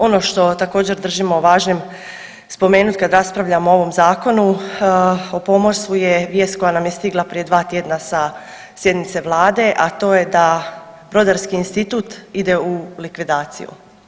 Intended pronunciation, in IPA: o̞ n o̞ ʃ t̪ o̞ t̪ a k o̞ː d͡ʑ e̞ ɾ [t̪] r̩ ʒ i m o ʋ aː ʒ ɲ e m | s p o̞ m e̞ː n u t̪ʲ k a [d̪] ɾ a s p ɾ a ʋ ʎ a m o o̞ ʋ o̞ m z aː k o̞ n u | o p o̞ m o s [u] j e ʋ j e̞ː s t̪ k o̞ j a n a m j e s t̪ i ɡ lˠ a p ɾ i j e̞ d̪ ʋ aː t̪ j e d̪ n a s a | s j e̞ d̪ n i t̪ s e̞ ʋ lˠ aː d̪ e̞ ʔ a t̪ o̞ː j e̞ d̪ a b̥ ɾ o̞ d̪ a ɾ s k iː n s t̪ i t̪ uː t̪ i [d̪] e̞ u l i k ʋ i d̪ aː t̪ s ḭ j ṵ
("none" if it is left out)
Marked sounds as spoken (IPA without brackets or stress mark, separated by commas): d̪, d̪, u, d̪